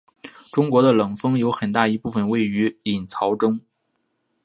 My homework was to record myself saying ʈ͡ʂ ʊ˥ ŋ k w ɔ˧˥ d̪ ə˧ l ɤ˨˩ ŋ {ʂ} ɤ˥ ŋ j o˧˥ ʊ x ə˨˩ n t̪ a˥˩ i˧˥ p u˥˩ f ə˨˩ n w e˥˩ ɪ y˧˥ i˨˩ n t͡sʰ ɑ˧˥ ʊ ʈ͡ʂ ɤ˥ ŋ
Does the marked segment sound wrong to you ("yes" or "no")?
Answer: yes